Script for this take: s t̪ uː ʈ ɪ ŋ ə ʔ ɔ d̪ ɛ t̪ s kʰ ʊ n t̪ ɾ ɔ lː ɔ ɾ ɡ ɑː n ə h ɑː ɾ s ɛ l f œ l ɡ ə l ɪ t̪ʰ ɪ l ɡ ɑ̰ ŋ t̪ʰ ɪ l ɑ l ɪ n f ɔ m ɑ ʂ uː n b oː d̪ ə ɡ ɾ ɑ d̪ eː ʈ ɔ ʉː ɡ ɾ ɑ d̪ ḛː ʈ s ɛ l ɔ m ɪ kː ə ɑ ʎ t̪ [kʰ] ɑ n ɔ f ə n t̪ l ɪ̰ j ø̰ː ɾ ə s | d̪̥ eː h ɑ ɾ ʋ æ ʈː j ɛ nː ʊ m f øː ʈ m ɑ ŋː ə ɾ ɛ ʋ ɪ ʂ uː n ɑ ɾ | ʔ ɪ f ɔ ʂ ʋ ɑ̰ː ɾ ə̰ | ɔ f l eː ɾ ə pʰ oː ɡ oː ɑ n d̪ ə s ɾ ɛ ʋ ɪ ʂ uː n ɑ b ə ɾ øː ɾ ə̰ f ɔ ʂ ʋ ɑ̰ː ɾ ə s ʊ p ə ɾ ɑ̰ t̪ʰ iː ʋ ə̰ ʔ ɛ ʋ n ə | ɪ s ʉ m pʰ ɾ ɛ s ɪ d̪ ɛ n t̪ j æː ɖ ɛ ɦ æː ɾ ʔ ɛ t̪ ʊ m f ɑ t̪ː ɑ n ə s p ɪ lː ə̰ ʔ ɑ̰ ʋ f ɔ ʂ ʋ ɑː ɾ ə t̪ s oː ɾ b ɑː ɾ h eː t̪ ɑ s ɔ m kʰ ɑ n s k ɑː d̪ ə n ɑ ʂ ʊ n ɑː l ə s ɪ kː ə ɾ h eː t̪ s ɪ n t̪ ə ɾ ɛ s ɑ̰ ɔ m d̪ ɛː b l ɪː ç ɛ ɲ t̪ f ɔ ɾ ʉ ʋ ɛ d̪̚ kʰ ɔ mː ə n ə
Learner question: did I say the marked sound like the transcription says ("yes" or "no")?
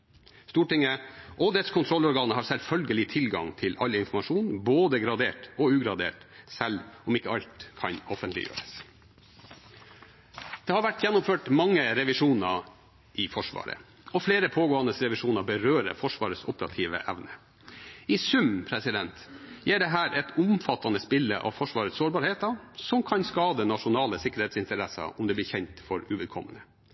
yes